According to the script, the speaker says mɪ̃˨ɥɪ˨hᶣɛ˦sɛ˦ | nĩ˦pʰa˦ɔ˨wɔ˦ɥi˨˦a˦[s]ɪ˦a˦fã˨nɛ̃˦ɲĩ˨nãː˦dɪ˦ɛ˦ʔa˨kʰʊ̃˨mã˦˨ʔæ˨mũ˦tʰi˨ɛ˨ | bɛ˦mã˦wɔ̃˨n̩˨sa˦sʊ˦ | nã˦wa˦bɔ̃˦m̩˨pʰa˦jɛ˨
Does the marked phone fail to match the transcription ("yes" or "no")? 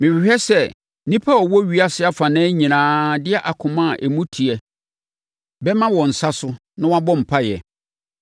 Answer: no